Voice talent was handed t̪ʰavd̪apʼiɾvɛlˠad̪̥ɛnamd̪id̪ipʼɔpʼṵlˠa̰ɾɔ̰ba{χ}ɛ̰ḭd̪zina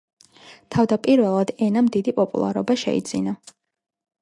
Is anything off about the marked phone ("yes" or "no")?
yes